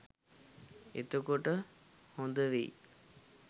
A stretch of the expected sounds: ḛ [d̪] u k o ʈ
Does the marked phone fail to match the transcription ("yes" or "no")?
yes